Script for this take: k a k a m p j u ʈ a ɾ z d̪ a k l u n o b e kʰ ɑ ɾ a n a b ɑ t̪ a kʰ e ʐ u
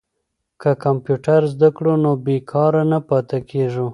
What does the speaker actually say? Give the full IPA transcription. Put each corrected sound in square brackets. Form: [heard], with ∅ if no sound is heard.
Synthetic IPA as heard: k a k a m p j u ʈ a ɾ z d̪ a k [ɽ] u n o b e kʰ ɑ ɾ a n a [p] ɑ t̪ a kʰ e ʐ u